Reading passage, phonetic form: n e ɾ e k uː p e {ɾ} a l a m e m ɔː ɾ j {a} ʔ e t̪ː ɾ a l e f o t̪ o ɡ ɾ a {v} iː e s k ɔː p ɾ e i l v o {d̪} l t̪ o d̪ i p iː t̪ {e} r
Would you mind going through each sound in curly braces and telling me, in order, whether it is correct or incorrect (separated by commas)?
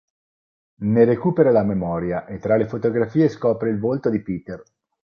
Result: correct, correct, incorrect, incorrect, correct